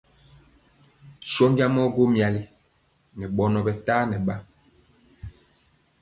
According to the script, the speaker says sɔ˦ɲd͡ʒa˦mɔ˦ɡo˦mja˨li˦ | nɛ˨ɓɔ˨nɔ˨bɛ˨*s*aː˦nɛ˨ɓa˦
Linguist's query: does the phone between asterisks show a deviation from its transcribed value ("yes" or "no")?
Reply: yes